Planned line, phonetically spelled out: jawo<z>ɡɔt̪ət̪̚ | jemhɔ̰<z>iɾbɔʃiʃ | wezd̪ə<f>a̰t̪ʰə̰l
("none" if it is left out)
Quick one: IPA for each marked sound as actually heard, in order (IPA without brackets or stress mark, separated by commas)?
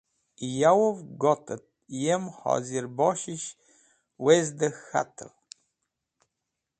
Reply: v, z, x